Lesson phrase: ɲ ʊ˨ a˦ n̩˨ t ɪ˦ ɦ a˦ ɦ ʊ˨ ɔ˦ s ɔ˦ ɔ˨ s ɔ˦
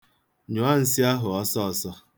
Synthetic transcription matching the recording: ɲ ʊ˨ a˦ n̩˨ s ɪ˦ a˦ ɦ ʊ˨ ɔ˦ s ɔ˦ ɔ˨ s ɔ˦